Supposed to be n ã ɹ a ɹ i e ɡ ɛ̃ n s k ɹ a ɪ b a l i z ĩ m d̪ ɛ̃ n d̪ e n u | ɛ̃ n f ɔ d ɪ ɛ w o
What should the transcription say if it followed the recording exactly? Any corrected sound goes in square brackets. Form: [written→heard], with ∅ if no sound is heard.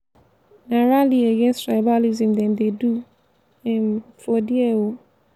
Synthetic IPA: n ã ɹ a [ɹ→l] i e ɡ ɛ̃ n s [k→t] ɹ a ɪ b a l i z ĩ m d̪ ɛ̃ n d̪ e [n→d] u | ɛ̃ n f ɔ d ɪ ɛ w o